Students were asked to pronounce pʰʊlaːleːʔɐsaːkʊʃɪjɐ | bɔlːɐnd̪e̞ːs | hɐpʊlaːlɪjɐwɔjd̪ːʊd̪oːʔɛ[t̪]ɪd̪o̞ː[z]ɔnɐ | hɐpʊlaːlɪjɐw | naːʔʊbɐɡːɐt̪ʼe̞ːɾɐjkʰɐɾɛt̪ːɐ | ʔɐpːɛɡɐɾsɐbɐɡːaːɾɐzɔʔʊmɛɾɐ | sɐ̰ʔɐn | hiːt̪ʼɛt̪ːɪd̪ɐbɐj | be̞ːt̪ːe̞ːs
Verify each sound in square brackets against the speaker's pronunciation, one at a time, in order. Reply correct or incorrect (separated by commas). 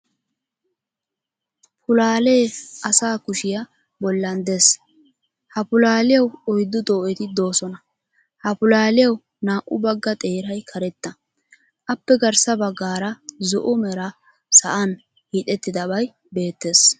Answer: correct, incorrect